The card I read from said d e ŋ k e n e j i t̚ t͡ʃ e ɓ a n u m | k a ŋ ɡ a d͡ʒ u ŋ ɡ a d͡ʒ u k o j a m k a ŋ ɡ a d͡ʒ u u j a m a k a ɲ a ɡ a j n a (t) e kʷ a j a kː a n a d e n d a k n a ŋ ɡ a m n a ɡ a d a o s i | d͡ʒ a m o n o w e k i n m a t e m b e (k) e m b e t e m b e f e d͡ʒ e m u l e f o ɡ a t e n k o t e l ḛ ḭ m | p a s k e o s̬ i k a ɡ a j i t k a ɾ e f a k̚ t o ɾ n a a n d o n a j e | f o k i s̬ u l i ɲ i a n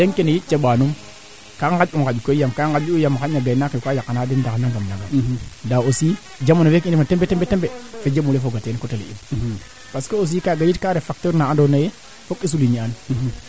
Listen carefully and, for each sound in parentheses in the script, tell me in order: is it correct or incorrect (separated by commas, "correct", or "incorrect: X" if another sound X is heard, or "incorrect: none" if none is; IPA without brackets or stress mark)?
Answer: incorrect: k, incorrect: t